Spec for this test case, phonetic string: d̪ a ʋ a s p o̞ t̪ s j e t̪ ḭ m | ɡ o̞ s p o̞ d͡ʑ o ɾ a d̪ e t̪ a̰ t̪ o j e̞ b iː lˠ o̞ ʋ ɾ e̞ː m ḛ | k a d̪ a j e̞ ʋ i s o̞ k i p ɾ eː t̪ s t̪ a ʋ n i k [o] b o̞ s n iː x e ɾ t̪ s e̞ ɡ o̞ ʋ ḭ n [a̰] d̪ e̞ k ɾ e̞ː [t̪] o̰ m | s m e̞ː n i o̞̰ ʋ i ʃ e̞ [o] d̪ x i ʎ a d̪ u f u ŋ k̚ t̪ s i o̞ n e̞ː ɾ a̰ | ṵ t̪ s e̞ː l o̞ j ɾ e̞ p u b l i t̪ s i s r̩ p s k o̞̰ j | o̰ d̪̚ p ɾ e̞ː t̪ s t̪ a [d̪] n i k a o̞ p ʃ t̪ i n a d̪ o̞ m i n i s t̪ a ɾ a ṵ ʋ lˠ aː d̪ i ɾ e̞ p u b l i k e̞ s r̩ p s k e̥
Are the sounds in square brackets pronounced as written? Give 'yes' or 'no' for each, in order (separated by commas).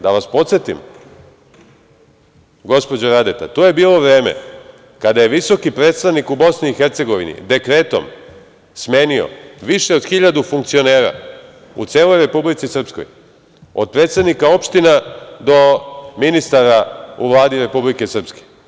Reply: no, no, yes, yes, yes